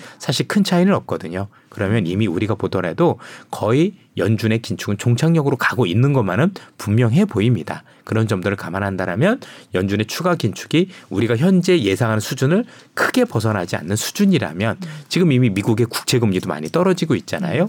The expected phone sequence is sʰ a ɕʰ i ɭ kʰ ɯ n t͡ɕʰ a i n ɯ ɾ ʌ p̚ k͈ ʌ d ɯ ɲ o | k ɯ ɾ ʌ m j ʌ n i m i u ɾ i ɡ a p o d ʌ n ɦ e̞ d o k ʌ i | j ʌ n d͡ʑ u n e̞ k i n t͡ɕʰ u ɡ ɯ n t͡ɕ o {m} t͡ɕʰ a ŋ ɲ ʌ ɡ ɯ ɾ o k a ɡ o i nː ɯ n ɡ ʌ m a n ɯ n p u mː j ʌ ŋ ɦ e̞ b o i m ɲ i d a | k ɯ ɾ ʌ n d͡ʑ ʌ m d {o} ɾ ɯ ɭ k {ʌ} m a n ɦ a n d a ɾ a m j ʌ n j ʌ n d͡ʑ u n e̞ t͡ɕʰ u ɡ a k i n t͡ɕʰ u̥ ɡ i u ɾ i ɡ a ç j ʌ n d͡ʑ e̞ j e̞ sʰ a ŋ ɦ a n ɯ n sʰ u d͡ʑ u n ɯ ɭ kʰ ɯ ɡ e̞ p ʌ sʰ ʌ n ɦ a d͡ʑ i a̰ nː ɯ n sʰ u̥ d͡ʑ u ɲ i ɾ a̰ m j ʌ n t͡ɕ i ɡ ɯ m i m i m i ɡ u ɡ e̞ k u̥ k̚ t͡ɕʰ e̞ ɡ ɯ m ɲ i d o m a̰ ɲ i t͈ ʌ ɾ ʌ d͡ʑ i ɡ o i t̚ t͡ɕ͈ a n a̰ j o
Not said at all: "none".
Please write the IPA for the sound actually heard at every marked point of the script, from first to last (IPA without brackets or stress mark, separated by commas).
ŋ, o, a